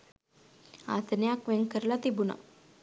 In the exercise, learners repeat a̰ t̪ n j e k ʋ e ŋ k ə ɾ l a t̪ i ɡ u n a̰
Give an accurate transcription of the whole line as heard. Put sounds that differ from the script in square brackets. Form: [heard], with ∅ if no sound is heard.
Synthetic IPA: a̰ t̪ n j [a] k ʋ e ŋ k ə ɾ l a t̪ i [b] u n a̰